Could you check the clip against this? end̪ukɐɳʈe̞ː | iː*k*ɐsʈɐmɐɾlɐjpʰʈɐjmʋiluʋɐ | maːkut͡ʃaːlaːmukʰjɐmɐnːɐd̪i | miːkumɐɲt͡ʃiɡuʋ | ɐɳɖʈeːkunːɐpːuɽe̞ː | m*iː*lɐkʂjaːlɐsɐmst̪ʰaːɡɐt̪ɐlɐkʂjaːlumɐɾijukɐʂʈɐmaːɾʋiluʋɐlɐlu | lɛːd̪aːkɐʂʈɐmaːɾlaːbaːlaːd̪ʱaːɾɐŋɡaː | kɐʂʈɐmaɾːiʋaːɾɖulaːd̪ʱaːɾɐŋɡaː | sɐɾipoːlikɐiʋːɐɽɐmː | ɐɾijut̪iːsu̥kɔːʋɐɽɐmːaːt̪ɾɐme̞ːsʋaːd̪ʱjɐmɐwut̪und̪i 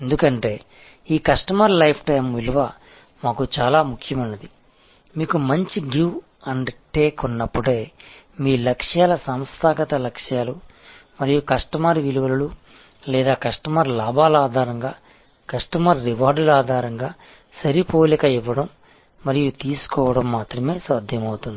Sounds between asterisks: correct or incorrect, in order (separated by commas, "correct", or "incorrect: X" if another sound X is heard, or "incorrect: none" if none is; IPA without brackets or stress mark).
correct, correct